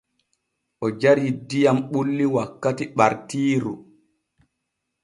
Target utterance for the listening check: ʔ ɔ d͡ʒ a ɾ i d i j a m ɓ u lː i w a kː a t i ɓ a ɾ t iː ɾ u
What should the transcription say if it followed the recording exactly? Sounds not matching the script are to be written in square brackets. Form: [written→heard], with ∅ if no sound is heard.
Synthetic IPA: ʔ ɔ d͡ʒ a ɾ i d i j a m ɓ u lː i w a kː a t i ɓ a ɾ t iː ɾ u